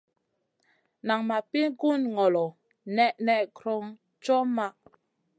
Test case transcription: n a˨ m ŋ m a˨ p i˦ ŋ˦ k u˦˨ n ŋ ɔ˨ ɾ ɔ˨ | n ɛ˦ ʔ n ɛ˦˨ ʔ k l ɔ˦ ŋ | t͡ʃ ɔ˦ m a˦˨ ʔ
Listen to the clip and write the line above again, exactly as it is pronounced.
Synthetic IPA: n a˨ ŋ m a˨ p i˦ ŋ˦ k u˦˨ n ŋ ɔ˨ l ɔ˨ | n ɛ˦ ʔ n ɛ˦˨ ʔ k ɾ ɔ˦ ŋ | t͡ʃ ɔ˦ m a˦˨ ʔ